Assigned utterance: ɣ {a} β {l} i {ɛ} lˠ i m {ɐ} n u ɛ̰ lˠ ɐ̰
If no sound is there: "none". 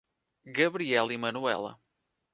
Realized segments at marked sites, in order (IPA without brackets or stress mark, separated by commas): ɐ, ɾ, ɛ, ɐ